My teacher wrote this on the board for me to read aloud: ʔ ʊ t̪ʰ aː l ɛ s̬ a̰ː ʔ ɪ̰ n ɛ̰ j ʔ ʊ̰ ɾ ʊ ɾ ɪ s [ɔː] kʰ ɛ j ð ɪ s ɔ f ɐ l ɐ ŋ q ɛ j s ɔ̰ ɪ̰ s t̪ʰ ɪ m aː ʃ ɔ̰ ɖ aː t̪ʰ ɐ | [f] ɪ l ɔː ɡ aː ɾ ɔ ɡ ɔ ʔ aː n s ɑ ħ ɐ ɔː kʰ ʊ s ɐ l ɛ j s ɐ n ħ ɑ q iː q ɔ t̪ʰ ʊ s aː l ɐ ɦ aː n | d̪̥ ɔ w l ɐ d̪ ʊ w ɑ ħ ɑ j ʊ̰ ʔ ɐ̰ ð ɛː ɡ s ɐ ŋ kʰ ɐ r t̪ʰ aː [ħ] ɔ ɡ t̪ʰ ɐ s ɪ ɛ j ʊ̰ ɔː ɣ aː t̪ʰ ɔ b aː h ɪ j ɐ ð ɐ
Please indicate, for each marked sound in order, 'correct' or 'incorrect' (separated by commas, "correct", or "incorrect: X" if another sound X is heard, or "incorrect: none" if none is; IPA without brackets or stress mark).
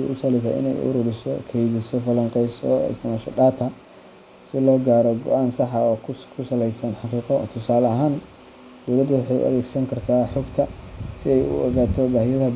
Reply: incorrect: ɔ, incorrect: s, correct